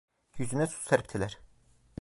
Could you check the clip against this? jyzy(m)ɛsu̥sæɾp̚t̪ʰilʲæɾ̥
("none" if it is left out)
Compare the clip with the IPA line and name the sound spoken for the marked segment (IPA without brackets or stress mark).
n